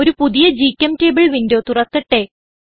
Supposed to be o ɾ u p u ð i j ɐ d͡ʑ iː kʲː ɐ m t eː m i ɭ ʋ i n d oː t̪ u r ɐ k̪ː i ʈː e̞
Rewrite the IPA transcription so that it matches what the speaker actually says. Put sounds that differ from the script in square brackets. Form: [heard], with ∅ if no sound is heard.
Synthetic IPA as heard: o ɾ u p u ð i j ɐ d͡ʑ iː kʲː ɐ m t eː [b] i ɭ ʋ i n d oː t̪ u r ɐ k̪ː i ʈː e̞